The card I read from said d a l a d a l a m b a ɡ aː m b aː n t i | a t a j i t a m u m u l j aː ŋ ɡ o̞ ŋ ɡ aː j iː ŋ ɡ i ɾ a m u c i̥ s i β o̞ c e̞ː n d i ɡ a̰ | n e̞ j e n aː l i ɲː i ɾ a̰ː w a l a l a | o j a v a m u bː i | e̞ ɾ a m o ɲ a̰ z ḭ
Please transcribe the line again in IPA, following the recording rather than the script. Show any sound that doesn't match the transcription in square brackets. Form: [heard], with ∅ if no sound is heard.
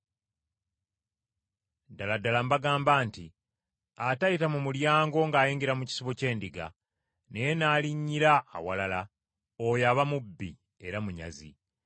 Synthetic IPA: d a l a d a l a m b a ɡ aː m b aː n t i | a t a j i t a m u m u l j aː ŋ ɡ o̞ ŋ ɡ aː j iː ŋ ɡ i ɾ a m u c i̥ s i β o̞ c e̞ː n d i ɡ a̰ | n e̞ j e n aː l i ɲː i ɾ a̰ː w a l a l a | o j a [β] a m u bː i | e̞ ɾ a m [u] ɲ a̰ z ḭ